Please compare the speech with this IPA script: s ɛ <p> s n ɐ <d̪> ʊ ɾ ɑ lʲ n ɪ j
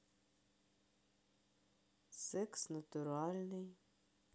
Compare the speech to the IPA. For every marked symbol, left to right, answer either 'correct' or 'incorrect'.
incorrect: k, incorrect: t̪

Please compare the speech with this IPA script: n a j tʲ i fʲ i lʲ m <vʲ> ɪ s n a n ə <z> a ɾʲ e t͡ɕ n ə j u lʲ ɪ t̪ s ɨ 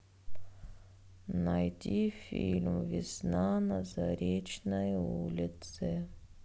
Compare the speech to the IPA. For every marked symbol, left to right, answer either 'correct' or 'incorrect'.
correct, correct

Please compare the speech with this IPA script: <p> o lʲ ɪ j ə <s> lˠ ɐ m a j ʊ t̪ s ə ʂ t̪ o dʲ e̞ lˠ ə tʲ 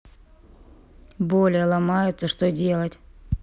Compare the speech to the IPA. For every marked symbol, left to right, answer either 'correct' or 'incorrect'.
incorrect: b, incorrect: none

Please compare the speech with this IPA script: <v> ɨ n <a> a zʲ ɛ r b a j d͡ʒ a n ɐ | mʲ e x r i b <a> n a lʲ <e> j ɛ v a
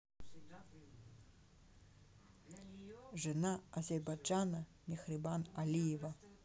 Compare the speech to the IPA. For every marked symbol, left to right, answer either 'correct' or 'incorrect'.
incorrect: ʐ, correct, correct, incorrect: i

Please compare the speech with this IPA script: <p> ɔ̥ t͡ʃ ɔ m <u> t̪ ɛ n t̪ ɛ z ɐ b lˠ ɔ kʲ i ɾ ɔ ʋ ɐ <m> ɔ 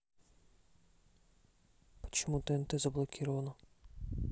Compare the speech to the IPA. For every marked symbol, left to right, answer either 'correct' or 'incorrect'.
correct, correct, incorrect: n

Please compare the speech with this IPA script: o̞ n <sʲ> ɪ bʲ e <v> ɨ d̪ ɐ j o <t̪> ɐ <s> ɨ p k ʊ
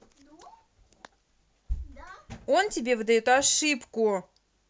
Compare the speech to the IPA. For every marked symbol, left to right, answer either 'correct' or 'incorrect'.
incorrect: tʲ, correct, correct, incorrect: ʂ

